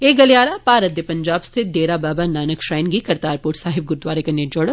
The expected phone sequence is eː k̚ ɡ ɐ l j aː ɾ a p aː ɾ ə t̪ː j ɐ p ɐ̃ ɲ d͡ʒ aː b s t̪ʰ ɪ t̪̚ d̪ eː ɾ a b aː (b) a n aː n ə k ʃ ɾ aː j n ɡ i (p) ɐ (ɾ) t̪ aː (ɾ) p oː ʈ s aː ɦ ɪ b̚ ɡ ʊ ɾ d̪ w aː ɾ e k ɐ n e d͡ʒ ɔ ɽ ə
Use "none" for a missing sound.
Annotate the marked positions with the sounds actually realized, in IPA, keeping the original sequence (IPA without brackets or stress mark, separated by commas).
b, k, ɾ, ɾ